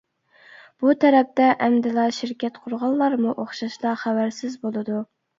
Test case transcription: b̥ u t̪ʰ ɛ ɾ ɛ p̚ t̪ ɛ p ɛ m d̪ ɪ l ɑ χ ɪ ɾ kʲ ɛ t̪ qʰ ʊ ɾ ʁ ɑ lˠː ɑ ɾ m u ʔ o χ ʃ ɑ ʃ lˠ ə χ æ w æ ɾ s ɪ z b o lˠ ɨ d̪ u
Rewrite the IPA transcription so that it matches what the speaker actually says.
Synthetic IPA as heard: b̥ u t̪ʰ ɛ ɾ ɛ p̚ t̪ ɛ ʔ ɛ m d̪ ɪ l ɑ ʃ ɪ ɾ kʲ ɛ t̪ qʰ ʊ ɾ ʁ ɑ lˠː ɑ ɾ m u ʔ o χ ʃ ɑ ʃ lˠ ɑ χ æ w æ ɾ s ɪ z b o lˠ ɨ d̪ u